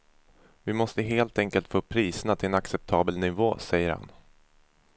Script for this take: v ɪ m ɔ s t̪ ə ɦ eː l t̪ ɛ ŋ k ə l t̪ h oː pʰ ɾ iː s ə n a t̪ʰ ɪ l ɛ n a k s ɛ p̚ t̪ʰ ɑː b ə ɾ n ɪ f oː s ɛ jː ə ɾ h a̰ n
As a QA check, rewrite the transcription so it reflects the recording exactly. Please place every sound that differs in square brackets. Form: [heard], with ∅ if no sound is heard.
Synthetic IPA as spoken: v ɪ m ɔ s t̪ ə ɦ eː l t̪ ɛ ŋ k ə l t̪ [f] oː pʰ ɾ iː s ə n a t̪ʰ ɪ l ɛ n a k s ɛ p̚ t̪ʰ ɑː b ə [l] n ɪ [v] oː s ɛ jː ə ɾ h a̰ n

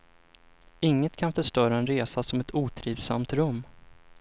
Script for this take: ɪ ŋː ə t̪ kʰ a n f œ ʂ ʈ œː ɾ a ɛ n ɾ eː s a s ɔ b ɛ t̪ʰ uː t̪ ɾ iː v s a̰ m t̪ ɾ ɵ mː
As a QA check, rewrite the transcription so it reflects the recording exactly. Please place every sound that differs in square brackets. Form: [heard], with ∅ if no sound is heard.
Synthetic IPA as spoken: ɪ ŋː ə t̪ kʰ a n f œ ʂ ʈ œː ɾ a ɛ n ɾ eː s a s ɔ [m] ɛ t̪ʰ uː [t̪ʰ] ɾ iː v s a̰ m t̪ ɾ ɵ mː

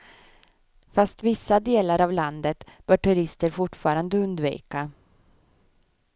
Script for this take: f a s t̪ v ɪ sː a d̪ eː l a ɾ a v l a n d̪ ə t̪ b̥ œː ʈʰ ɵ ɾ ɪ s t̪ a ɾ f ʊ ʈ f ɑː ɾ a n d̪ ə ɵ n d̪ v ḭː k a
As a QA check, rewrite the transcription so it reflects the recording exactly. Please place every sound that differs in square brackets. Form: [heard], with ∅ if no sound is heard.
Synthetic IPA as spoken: f a s t̪ v ɪ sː a d̪ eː l a ɾ a v l a n d̪ ə t̪ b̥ œː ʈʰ ɵ ɾ ɪ s t̪ [ə] ɾ f ʊ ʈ f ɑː ɾ a n d̪ ə ɵ n d̪ v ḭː k a

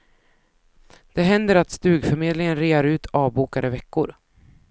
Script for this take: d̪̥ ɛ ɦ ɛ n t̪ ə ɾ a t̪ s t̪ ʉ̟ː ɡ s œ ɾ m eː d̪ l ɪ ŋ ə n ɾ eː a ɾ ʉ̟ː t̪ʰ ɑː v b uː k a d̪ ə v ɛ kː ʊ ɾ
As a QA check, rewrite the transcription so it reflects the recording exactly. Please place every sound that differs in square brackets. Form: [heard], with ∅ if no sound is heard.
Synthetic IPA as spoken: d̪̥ ɛ ɦ ɛ n [d̪] ə ɾ a t̪ s t̪ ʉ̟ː ɡ [f] œ ɾ m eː d̪ l ɪ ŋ ə n ɾ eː a ɾ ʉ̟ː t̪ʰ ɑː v b uː k a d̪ ə v ɛ kː ʊ ɾ

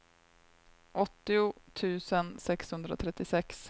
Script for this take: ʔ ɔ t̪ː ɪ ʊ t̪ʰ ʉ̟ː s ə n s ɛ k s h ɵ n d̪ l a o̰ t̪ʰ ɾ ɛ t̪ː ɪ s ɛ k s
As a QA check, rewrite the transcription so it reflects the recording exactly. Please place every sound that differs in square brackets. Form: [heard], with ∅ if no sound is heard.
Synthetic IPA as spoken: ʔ ɔ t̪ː ɪ ʊ t̪ʰ ʉ̟ː s ə n s ɛ k s h ɵ n d̪ [ɾ] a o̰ t̪ʰ ɾ ɛ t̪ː ɪ s ɛ k s

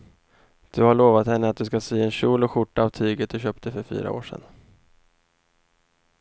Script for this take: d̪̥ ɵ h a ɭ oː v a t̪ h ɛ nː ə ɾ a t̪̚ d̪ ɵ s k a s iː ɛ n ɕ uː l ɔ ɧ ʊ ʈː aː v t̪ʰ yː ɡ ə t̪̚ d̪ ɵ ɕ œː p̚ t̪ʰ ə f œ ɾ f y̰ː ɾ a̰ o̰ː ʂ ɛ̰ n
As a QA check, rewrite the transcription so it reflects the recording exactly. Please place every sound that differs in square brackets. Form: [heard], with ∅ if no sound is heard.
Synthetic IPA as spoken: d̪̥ ɵ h a ɭ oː v a t̪ h ɛ nː ə [∅] a t̪̚ d̪ ɵ s k a s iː ɛ n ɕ uː l ɔ ɧ ʊ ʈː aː v t̪ʰ yː ɡ ə t̪̚ d̪ ɵ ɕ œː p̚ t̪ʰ ə f œ ɾ f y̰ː ɾ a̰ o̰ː ʂ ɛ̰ n

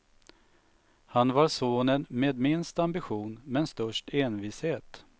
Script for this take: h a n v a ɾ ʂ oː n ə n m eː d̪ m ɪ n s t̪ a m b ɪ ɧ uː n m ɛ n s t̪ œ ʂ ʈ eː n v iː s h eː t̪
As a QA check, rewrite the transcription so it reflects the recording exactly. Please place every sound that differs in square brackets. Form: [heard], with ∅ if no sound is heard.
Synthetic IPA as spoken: h a n v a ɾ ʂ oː n ə n m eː d̪ m ɪ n s t̪ a m b ɪ ɧ uː n m ɛ n s t̪ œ ʂ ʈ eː n v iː s h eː t̪

